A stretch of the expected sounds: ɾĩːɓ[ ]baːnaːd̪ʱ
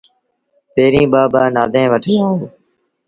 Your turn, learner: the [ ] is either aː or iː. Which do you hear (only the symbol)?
aː